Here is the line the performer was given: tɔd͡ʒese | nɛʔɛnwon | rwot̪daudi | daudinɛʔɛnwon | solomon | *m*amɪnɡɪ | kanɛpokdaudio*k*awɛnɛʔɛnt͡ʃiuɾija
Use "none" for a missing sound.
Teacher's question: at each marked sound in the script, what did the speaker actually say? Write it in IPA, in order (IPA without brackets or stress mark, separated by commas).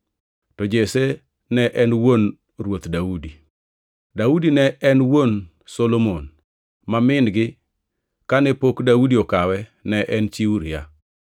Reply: m, k